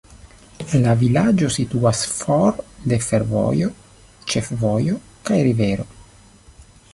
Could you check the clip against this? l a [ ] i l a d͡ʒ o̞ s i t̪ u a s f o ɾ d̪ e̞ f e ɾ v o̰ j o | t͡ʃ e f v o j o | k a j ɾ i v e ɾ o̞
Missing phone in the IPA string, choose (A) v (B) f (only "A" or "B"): A